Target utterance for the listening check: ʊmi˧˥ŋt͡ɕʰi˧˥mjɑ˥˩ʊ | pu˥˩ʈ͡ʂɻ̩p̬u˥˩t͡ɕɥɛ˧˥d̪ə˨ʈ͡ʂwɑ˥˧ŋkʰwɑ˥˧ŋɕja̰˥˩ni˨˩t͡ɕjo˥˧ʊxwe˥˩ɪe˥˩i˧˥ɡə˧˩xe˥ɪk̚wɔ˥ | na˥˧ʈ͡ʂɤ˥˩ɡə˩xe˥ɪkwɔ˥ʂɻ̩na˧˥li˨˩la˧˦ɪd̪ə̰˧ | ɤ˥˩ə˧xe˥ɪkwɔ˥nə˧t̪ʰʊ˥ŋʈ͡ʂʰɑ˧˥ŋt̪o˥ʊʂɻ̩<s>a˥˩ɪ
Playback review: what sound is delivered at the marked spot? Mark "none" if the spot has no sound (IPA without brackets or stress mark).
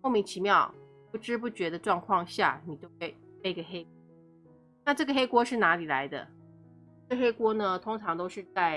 t͡s